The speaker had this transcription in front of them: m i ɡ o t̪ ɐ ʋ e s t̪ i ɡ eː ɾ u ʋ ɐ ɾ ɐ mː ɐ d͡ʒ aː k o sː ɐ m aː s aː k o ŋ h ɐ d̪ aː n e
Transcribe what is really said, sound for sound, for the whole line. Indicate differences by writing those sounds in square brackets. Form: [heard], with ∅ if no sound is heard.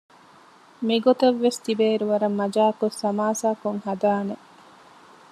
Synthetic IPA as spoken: m i ɡ o t̪ ɐ [ʋː] e s t̪ i [b] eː ɾ u ʋ ɐ ɾ ɐ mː ɐ d͡ʒ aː k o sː ɐ m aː s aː k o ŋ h ɐ d̪ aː n e

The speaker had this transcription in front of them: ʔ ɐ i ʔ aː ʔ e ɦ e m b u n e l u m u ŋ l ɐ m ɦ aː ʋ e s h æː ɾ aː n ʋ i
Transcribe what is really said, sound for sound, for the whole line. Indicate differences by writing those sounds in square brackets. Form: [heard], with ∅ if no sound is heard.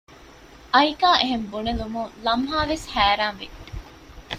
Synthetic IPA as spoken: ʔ ɐ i [k] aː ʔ e ɦ e m b u n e l u m u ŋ l ɐ m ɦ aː ʋ e s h æː ɾ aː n ʋ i

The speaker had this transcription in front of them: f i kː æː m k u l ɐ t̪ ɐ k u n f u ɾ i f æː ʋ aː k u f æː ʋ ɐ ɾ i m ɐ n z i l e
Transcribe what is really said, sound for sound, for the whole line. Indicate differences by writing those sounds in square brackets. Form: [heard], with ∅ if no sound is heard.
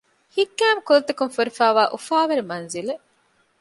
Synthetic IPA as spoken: [h] i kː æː m k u l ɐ t̪ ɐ k u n f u ɾ i f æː ʋ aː [ʔ] u f [aː] ʋ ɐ ɾ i m ɐ n z i l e

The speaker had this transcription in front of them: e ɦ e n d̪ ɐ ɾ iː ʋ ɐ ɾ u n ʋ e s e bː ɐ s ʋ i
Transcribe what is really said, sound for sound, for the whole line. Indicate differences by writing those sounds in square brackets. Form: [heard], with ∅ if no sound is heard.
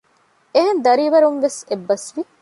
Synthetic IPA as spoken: e ɦ e n d̪ ɐ ɾ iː ʋ ɐ ɾ u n ʋ e s e bː ɐ s ʋ i

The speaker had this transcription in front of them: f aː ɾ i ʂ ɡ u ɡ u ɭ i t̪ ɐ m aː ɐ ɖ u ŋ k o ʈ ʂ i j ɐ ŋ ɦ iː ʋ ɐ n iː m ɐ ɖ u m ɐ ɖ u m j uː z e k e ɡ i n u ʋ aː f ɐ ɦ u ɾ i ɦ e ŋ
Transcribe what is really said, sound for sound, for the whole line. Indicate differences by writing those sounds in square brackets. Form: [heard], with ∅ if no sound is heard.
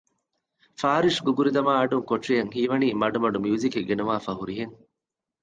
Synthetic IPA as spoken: f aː ɾ i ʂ ɡ u ɡ u [ɾ] i [d̪] ɐ m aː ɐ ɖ u ŋ k o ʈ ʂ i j ɐ ŋ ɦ iː ʋ ɐ n iː m ɐ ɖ u m ɐ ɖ u m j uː z [i] k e ɡ [e] n u ʋ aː f ɐ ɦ u ɾ i ɦ e ŋ

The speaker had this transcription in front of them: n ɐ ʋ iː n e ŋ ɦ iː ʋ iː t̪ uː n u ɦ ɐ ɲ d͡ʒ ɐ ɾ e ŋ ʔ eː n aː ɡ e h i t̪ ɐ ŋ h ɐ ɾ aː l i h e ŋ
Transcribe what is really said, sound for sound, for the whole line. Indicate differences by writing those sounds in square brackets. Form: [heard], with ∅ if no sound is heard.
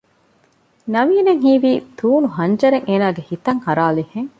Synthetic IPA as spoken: n ɐ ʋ iː n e ŋ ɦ iː ʋ iː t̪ uː n u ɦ ɐ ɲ d͡ʒ ɐ ɾ e ŋ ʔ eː n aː ɡ e h i t̪ ɐ ŋ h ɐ ɾ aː l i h e ŋ

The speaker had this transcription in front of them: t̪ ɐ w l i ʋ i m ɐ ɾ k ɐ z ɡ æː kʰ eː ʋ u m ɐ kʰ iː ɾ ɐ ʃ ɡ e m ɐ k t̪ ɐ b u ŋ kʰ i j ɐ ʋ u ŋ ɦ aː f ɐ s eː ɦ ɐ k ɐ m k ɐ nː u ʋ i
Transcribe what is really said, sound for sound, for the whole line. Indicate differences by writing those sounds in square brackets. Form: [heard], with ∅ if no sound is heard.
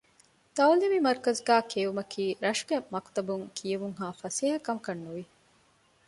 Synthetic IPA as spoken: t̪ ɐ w l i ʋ i m ɐ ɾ k ɐ z ɡ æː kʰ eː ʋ u m ɐ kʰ iː ɾ ɐ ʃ ɡ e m ɐ k t̪ ɐ b u ŋ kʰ i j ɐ ʋ u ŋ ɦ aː f ɐ s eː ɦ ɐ k ɐ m k ɐ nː u ʋ i

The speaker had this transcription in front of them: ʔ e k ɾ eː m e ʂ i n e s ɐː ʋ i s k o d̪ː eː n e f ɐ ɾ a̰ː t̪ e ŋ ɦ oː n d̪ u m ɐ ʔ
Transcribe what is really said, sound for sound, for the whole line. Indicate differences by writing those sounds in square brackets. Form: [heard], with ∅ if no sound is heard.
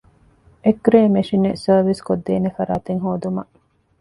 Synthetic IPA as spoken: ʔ e k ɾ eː m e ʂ i n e s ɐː ʋ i s k o d̪ː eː n e f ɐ ɾ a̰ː t̪ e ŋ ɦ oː [∅] d̪ u m ɐ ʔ

